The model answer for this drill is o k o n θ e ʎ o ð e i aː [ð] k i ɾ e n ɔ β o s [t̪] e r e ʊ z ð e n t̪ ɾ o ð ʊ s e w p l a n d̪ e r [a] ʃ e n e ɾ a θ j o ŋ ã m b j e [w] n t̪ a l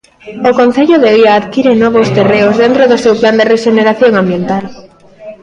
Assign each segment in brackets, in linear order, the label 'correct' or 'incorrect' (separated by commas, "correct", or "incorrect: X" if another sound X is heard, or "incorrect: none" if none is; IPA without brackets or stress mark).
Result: correct, correct, incorrect: e, incorrect: none